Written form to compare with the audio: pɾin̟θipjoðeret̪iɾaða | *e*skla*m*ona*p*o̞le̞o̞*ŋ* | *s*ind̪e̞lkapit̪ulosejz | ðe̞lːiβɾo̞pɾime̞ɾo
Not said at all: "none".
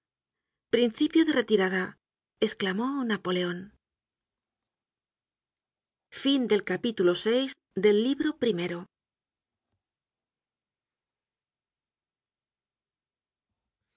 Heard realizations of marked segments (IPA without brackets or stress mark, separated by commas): e, m, p, n, f